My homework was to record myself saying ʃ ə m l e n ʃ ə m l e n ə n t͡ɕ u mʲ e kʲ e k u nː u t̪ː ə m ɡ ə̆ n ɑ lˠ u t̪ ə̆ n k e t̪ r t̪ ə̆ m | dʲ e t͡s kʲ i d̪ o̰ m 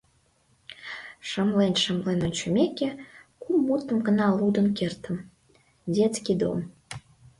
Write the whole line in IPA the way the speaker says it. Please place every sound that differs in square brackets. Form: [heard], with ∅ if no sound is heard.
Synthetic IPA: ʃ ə m l e n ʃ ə m l e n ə n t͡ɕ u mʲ e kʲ e k u [mː] u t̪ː ə m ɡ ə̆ n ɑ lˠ u [d̪] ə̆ n k e [∅] r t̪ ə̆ m | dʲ e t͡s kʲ i d̪ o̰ m